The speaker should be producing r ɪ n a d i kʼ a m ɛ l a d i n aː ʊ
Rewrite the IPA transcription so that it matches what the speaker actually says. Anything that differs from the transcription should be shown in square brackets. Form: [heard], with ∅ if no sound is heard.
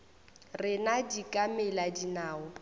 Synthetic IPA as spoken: r ɪ n a d i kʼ a m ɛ l a d i n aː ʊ